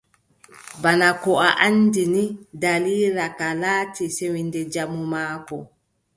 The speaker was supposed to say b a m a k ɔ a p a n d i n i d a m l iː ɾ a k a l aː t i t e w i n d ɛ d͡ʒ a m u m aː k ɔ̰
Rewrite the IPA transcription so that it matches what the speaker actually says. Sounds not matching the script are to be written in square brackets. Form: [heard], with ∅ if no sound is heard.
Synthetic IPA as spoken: b a [n] a k ɔ a [ʔ] a n d i n i d a [∅] l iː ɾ a k a l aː t i [s] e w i n d ɛ d͡ʒ a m u m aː k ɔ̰